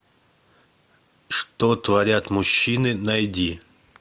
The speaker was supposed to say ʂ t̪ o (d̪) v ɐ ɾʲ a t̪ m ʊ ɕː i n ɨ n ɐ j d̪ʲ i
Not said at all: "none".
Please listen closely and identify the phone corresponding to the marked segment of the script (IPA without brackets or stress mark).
t̪